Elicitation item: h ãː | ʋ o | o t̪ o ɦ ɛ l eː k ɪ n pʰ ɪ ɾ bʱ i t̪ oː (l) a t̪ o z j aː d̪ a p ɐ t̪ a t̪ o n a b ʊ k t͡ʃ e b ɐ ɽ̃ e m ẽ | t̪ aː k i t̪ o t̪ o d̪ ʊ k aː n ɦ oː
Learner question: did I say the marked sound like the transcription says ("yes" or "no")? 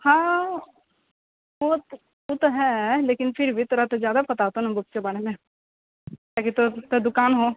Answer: no